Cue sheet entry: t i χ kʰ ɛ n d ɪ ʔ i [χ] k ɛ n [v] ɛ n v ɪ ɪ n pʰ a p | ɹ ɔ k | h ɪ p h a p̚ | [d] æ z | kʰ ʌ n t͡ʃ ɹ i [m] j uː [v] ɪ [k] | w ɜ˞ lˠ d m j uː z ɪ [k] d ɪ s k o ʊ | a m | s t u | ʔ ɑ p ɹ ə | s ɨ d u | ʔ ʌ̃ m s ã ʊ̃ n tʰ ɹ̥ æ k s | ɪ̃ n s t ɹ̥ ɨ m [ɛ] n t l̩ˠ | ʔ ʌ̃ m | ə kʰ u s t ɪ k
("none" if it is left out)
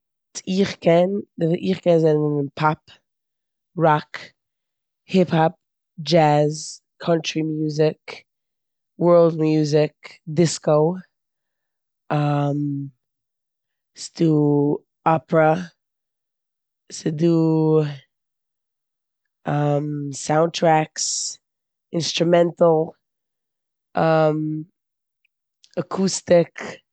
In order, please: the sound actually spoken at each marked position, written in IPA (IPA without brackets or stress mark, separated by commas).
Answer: χ, z, d͡ʒ, m, z, k, k, ɛ̃